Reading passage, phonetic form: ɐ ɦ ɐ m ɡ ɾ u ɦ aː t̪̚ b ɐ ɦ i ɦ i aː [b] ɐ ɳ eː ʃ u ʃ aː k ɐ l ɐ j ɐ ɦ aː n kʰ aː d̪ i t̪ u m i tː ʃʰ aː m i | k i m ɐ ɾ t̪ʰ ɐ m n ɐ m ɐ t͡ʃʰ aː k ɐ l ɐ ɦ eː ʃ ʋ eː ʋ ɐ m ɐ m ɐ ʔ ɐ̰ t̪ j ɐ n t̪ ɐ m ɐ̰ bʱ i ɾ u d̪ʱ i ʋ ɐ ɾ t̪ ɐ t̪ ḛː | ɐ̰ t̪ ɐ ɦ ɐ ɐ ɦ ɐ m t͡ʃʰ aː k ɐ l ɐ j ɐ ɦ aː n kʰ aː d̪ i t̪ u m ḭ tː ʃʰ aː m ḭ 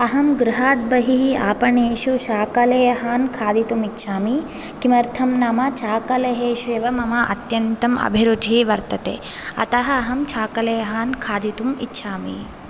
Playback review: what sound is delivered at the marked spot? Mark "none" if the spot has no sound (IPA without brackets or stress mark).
p